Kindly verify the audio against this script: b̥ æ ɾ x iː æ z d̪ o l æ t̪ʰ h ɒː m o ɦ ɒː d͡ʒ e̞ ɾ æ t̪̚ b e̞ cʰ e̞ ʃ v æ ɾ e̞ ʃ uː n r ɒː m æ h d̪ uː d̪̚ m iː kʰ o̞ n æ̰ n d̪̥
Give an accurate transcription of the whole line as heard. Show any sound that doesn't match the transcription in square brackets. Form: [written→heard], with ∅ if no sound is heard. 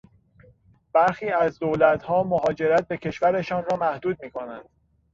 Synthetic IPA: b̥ æ ɾ x iː æ z d̪ o l æ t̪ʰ h ɒː m o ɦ ɒː d͡ʒ e̞ ɾ æ t̪̚ b e̞ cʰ e̞ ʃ v æ ɾ e̞ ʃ [uː→ɒː] n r ɒː m æ h d̪ uː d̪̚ m iː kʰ o̞ n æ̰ n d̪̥